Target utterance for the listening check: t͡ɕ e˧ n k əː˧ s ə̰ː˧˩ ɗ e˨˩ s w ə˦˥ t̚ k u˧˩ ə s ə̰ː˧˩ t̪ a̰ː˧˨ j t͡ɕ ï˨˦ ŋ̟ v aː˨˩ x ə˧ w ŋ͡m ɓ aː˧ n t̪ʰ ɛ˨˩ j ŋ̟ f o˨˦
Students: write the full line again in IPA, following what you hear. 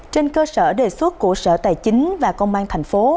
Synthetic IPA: t͡ɕ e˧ n k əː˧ s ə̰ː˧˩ ɗ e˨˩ s w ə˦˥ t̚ k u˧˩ ə s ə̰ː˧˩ t̪ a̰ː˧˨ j t͡ɕ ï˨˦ ŋ̟ v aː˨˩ k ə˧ w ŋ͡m ɓ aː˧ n t̪ʰ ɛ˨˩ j ŋ̟ f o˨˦